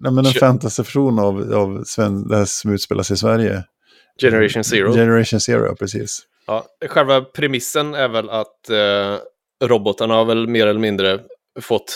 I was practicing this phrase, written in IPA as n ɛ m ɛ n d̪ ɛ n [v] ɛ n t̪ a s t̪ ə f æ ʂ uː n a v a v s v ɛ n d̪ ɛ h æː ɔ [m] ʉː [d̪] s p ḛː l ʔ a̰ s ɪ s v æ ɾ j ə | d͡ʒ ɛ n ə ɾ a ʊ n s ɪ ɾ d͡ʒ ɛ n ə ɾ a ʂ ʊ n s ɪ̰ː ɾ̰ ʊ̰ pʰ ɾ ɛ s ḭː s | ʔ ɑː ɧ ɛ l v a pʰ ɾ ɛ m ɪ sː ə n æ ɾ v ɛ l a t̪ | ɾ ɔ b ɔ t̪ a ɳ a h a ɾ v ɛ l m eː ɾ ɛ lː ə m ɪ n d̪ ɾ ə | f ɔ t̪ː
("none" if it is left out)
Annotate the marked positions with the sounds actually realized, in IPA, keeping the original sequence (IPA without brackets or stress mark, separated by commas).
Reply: f, m, t̪